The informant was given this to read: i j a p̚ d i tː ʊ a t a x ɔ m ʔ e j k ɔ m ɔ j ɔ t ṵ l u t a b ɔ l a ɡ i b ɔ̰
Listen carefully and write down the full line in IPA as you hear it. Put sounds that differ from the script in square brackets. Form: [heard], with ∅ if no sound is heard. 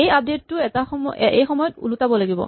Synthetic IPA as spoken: [e] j a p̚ d [e] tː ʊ [ɛ] t a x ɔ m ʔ e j [x] ɔ m ɔ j ɔ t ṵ l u t a b ɔ l a ɡ i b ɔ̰